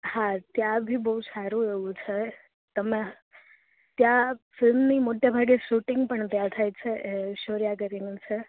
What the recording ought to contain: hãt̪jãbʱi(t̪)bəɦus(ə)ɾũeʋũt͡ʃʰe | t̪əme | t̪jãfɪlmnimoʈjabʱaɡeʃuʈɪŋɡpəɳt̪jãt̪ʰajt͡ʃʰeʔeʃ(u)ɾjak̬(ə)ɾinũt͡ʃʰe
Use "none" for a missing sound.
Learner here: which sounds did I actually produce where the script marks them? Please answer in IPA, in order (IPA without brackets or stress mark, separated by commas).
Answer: none, a, o, ə